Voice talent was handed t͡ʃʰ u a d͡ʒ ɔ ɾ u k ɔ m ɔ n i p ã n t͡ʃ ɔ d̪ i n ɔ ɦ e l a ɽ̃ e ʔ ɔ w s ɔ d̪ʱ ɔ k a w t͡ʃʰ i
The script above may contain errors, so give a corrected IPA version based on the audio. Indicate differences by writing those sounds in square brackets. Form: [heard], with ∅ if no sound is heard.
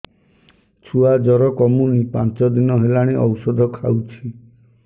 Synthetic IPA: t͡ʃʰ u a d͡ʒ ɔ ɾ [ɔ] k ɔ m [u] n i p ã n t͡ʃ ɔ d̪ i n ɔ ɦ e l a ɽ̃ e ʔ ɔ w s ɔ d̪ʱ ɔ [kʰ] a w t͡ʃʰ i